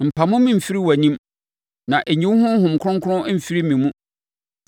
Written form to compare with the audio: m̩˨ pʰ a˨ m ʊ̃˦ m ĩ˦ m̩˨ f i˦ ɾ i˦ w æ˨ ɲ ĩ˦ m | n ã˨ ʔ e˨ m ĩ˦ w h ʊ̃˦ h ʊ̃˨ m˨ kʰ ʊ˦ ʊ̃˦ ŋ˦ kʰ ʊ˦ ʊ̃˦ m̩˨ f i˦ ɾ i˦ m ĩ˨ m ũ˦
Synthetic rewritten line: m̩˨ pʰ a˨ m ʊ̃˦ m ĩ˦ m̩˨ f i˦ ɾ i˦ w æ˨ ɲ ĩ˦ m | n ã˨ ʔ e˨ ɲ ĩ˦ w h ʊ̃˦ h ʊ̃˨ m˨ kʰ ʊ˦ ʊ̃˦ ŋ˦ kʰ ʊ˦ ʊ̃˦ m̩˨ f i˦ ɾ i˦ m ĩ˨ m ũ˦